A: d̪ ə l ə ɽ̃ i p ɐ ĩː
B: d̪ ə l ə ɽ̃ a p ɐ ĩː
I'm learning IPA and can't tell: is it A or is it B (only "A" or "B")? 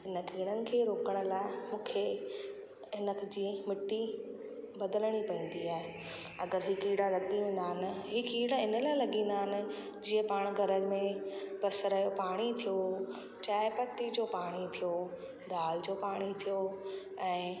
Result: A